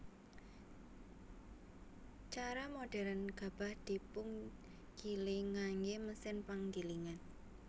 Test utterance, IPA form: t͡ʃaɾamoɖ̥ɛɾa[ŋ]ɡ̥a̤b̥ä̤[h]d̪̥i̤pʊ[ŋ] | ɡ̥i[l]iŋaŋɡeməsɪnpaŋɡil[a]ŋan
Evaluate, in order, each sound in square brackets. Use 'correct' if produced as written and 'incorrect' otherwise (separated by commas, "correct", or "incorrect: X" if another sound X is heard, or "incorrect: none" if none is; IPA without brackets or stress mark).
incorrect: n, correct, correct, correct, incorrect: i